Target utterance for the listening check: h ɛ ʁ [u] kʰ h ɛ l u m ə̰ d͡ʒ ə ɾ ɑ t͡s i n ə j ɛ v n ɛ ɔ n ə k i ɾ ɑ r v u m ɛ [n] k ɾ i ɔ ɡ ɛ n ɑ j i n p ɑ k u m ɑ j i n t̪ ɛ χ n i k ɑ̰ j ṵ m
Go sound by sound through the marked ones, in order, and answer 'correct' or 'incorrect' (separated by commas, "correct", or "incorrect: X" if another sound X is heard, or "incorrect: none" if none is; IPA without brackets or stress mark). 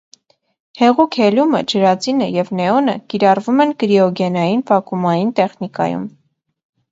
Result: correct, correct